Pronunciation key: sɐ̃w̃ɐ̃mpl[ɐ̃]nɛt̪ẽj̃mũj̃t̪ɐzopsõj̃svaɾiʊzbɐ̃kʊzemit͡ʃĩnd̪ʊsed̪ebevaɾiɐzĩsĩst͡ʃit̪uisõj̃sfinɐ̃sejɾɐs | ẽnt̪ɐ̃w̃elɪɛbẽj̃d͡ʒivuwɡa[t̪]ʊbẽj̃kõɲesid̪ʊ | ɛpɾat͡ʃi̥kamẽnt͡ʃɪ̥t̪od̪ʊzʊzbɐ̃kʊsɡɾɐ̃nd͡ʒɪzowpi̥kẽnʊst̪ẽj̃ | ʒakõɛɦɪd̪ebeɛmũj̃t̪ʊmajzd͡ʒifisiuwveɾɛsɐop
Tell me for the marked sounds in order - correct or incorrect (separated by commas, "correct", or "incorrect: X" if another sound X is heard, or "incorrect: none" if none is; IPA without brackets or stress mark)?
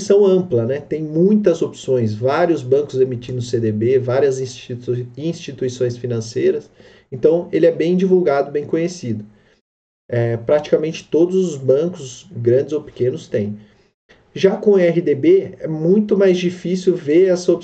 incorrect: ɐ, incorrect: d̪